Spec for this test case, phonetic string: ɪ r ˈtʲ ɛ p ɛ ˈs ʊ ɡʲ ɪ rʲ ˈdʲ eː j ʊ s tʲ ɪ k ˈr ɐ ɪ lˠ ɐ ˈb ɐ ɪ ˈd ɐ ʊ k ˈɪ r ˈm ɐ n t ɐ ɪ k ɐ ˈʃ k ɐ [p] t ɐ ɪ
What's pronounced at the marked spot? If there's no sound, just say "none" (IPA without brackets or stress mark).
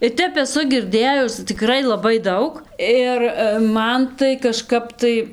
p